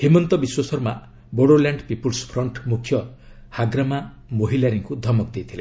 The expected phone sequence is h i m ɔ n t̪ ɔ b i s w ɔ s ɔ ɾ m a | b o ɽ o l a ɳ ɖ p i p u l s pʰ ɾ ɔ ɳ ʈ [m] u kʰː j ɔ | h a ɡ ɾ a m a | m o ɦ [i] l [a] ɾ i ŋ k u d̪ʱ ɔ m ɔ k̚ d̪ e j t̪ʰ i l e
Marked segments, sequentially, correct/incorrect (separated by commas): correct, correct, correct